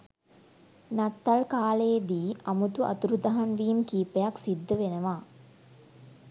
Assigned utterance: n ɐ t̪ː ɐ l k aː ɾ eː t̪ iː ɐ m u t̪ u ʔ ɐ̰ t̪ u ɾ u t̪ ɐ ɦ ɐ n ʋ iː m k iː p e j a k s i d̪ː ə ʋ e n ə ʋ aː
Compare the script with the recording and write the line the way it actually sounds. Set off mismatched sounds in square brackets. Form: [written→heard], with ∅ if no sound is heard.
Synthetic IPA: n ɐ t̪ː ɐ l k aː [ɾ→l] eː [t̪→d̪] iː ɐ m u t̪ u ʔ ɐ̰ t̪ u ɾ u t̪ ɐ ɦ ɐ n ʋ iː m k iː p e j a k s i d̪ː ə ʋ e n ə ʋ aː